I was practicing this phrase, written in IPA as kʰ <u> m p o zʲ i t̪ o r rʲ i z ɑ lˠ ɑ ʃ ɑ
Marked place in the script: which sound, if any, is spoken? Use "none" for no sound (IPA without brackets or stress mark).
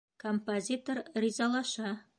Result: o